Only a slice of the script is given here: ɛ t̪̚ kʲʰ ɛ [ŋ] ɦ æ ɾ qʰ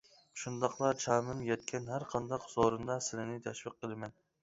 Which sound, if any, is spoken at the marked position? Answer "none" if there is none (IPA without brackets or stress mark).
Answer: n